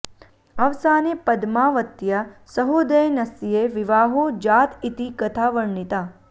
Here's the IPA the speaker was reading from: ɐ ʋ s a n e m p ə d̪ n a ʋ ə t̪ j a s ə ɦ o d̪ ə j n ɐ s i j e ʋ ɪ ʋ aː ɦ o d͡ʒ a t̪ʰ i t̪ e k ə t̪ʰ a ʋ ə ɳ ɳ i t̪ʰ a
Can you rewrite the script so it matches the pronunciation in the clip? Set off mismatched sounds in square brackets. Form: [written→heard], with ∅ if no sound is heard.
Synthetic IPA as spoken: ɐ ʋ s a n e [m→∅] p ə d̪ [n→m] a ʋ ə t̪ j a s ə ɦ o d̪ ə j n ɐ s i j e ʋ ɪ ʋ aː ɦ o d͡ʒ a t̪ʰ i t̪ [e→i] k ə t̪ʰ a ʋ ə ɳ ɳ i [t̪ʰ→t̪] a